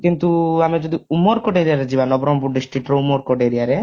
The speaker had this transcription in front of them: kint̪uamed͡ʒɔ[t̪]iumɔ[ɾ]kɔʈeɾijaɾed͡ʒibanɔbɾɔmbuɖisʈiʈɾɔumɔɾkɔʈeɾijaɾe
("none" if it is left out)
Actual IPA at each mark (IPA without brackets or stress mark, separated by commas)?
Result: d̪, ɾ